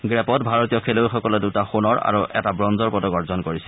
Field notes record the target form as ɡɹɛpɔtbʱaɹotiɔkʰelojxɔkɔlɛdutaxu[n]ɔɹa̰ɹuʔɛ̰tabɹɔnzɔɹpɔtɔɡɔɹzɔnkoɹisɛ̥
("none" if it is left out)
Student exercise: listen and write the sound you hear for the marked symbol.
n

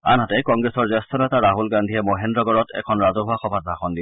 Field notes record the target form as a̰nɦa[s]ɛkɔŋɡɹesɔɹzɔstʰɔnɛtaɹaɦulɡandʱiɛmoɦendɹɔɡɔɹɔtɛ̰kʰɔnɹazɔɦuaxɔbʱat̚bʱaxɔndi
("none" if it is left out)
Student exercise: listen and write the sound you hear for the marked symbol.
t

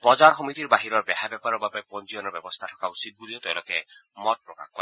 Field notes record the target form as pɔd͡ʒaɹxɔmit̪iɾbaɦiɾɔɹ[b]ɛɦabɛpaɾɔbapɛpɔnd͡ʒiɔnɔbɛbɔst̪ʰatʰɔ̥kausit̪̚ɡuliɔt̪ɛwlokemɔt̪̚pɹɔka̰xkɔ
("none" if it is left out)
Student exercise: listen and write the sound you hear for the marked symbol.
b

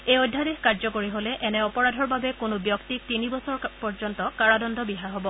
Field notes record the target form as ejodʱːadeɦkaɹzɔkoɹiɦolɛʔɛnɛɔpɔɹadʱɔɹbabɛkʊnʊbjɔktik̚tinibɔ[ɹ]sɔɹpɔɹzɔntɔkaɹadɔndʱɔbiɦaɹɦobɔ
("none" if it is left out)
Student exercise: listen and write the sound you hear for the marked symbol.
none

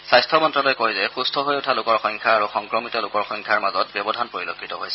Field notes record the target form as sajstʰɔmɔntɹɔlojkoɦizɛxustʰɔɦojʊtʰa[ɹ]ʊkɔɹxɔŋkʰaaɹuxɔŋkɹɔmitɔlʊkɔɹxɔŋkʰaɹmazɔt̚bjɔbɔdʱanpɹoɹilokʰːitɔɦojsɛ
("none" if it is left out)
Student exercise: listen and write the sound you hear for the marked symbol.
l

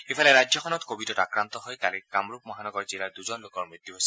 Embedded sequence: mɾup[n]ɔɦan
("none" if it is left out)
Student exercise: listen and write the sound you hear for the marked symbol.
m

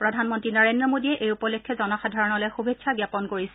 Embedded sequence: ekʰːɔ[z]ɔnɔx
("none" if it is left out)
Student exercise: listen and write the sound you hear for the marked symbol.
z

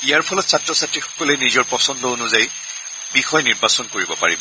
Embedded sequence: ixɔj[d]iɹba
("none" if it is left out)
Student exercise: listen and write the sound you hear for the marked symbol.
n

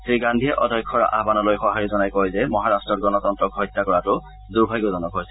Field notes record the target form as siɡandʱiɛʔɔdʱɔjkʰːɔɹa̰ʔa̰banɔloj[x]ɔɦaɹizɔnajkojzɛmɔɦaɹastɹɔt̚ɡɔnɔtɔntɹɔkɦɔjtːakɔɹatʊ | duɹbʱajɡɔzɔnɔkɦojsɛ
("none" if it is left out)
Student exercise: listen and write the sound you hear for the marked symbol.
x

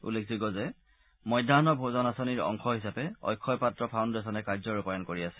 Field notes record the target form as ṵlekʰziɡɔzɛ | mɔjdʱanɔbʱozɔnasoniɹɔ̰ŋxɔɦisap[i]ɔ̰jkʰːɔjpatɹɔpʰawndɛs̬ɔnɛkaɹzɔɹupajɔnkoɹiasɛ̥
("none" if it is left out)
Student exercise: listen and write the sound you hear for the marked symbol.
ɛ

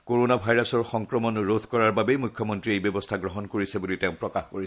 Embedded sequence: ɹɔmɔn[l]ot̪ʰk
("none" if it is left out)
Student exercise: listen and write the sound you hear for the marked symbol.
ɹ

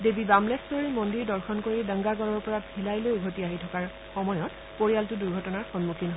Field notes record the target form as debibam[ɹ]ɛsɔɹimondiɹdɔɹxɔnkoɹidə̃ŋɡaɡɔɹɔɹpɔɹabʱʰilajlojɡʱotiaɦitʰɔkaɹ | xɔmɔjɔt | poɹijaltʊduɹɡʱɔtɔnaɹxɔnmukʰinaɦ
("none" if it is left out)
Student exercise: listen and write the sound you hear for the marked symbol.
l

